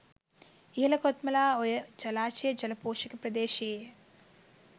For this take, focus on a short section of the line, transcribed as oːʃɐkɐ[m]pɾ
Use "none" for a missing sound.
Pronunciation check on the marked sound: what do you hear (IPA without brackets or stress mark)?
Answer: none